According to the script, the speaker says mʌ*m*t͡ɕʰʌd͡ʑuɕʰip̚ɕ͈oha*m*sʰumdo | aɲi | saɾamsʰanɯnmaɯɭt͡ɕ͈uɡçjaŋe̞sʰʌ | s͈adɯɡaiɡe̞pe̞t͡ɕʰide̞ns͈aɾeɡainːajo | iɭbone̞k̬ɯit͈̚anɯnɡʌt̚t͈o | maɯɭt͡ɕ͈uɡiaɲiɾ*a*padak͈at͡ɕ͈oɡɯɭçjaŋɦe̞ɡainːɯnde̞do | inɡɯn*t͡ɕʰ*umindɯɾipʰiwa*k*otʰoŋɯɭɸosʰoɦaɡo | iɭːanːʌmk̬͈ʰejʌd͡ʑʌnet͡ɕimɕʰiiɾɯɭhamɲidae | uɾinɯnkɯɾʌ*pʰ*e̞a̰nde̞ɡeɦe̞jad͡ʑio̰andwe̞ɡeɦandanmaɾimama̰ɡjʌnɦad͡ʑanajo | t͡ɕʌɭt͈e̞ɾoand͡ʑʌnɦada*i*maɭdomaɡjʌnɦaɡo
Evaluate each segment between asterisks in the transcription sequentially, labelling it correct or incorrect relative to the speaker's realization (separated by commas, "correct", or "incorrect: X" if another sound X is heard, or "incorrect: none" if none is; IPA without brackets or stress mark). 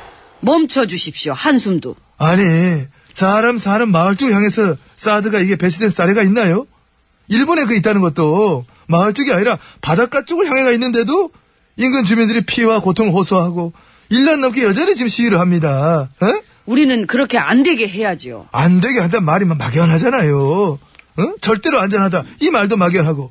correct, incorrect: n, correct, incorrect: t͡ɕ, correct, incorrect: kʰ, correct